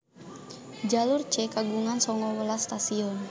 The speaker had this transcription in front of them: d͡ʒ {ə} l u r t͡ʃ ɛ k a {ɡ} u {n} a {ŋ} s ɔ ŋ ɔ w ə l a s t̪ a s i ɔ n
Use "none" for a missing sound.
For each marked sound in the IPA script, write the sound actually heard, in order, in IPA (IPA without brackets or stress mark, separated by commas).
a, ɡ, ŋ, n